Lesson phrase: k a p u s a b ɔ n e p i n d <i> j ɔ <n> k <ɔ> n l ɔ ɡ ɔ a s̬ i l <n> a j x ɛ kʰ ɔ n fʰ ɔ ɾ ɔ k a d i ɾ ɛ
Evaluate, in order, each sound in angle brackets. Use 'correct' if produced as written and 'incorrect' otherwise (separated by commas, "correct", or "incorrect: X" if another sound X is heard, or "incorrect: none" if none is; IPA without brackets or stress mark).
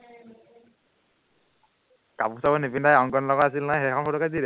incorrect: a, incorrect: ŋ, correct, correct